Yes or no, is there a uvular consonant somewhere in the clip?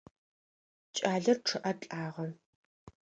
yes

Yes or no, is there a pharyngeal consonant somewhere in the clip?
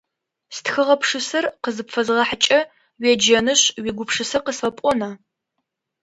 yes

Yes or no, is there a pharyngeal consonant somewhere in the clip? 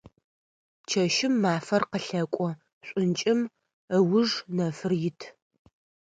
no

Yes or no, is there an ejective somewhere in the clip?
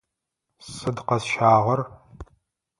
no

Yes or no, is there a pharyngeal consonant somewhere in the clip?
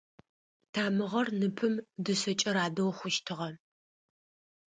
no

